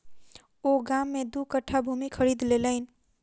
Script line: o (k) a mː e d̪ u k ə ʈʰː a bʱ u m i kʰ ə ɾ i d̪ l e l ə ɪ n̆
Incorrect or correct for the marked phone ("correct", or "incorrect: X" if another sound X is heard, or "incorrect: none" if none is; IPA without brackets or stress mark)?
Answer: incorrect: ɡ